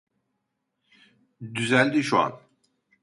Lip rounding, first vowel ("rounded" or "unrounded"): rounded